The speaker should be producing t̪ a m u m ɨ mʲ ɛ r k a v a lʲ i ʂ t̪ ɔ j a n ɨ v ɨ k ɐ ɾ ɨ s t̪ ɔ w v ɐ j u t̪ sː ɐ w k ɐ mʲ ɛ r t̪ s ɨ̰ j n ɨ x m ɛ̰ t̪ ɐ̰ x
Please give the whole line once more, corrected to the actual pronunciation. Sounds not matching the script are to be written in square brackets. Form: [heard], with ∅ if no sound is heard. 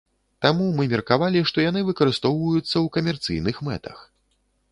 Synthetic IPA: t̪ a m u m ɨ mʲ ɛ r k a v a lʲ i ʂ t̪ ɔ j a n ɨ v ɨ k ɐ ɾ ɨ s t̪ ɔ w v ɐ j u t̪ sː ɐ w k ɐ mʲ ɛ r t̪ s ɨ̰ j n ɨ x m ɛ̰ t̪ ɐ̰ x